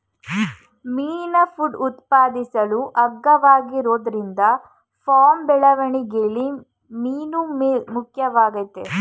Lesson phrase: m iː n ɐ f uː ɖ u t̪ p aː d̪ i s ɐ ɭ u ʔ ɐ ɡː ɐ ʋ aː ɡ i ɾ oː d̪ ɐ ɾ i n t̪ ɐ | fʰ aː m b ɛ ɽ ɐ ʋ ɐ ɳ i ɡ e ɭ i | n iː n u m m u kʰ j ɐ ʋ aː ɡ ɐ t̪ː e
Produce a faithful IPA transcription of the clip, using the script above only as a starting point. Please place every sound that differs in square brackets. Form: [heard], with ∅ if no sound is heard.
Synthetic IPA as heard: m iː n ɐ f [u] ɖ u t̪ p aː d̪ i s ɐ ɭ u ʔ ɐ ɡː ɐ ʋ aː ɡ i ɾ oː d̪ ɐ ɾ i n [d̪] ɐ | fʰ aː m b ɛ [ɭ] ɐ ʋ ɐ ɳ i ɡ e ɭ i | [m] iː n u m m u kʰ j ɐ ʋ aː ɡ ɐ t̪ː e